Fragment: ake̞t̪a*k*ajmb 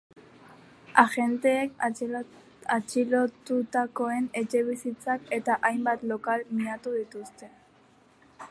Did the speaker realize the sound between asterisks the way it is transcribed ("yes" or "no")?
no